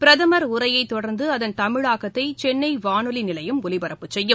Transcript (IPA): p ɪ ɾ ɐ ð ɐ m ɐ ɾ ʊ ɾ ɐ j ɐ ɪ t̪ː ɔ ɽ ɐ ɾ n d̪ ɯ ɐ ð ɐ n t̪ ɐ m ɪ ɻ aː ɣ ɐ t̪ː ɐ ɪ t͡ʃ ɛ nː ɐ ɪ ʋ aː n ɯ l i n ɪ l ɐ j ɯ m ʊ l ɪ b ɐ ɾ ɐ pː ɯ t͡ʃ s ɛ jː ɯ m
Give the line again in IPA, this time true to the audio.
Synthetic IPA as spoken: p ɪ ɾ ɐ ð ɐ m ɐ ɾ ʊ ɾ ɐ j ɐ ɪ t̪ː ɔ ɽ ɐ ɾ n d̪ ɯ ɐ ð ɐ n t̪ ɐ m ɪ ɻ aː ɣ ɐ t̪ː ɐ ɪ t͡ʃ ɛ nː ɐ ɪ ʋ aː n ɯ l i n ɪ l ɐ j ɯ m ʊ l ɪ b ɐ ɾ ɐ pː ɯ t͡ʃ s ɛ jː ɯ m